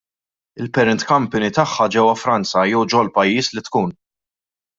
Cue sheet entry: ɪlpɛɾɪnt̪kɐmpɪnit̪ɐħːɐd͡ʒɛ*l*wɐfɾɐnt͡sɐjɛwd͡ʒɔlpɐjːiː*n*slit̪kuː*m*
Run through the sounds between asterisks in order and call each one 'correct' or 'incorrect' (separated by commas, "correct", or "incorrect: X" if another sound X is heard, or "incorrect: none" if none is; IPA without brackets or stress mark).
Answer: incorrect: none, incorrect: none, incorrect: n